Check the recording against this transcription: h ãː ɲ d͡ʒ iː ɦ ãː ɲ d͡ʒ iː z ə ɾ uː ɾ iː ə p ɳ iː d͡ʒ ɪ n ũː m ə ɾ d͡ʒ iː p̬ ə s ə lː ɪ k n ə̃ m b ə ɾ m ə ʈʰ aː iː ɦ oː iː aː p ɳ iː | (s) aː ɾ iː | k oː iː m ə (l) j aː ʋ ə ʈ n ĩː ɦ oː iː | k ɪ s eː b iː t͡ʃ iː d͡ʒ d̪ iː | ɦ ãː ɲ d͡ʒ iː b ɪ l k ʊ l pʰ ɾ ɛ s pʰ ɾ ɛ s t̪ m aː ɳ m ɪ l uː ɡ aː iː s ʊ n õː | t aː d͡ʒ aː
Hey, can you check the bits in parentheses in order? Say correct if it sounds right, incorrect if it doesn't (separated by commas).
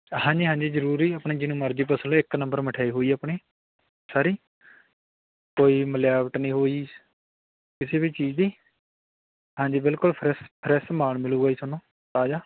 correct, correct